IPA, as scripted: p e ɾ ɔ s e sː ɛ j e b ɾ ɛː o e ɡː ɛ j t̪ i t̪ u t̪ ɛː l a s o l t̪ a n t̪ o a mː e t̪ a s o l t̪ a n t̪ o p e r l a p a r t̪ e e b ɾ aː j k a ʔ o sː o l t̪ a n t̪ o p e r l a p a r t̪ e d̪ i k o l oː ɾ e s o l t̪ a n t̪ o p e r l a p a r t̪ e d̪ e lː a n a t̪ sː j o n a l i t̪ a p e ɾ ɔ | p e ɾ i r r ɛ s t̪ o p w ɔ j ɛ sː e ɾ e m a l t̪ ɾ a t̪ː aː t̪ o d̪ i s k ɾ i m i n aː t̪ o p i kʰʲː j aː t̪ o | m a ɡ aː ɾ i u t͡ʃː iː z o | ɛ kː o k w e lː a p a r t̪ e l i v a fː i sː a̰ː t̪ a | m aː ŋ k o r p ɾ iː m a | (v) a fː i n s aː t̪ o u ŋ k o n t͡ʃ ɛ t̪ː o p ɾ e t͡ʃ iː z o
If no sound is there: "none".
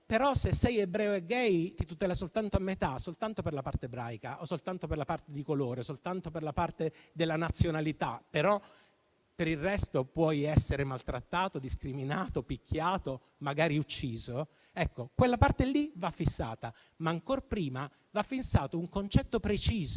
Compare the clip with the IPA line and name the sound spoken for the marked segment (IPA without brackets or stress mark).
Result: v